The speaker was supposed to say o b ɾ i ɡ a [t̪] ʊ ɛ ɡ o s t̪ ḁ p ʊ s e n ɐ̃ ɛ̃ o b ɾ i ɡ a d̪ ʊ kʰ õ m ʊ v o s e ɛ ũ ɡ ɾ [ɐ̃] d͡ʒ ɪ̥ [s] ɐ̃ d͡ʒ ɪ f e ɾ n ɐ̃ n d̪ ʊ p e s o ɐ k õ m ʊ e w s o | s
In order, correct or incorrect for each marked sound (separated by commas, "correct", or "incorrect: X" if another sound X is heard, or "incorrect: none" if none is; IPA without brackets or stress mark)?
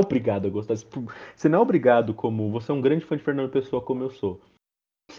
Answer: incorrect: d̪, correct, incorrect: f